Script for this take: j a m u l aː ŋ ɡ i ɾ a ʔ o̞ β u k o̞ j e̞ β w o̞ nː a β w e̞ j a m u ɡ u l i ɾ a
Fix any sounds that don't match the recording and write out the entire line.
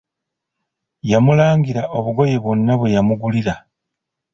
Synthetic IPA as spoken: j a m u l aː ŋ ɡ i ɾ a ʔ o̞ β u ɡ o̞ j e̞ β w o̞ nː a β w e̞ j a m u ɡ u l i ɾ a